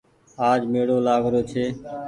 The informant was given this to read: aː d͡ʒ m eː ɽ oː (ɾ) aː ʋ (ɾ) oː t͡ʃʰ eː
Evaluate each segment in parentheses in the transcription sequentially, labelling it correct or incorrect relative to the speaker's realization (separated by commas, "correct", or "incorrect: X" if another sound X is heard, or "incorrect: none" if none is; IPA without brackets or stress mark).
incorrect: l, correct